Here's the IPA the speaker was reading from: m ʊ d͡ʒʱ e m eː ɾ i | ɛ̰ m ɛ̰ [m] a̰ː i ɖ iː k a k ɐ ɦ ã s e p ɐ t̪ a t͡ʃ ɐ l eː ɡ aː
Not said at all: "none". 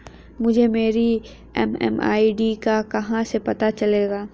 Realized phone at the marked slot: m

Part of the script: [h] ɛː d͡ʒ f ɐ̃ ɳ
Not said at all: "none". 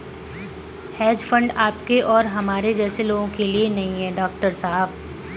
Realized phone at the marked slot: h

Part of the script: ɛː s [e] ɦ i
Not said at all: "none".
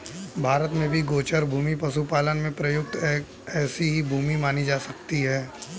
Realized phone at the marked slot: i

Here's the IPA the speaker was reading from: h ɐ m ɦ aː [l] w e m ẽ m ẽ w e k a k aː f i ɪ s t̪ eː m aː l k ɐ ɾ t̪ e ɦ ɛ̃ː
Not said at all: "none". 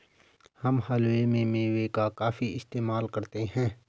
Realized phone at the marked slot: l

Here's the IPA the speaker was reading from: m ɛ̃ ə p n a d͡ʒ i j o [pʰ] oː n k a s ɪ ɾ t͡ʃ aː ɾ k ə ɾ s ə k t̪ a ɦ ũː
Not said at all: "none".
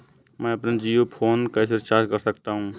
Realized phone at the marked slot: pʰ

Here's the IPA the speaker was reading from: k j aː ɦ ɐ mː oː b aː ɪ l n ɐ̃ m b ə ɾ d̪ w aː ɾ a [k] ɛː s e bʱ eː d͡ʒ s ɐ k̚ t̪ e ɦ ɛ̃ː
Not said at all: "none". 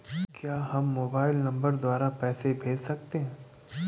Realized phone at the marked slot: p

